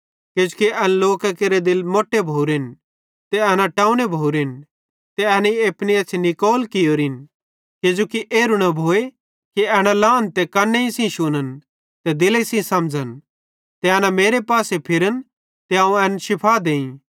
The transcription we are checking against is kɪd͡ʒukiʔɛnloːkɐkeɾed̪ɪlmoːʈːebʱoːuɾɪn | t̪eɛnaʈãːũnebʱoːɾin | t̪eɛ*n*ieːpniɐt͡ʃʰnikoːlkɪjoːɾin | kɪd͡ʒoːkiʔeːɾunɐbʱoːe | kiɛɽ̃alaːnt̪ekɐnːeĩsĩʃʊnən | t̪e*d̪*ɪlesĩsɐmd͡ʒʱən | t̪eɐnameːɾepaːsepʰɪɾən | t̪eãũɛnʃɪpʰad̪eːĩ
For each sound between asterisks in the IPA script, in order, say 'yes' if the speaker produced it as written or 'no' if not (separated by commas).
yes, yes